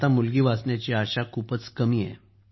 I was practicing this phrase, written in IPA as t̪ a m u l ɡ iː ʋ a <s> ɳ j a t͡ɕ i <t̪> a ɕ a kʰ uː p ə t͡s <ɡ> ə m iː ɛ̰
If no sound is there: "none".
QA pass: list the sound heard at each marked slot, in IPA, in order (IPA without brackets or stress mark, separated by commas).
s, none, k